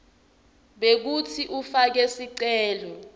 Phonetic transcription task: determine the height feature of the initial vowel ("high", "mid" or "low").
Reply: mid